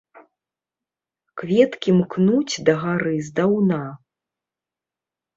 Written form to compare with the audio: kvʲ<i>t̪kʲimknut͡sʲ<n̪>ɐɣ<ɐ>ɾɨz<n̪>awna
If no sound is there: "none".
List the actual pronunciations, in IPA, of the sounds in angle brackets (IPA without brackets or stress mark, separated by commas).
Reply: ɛ, d̪, a, d̪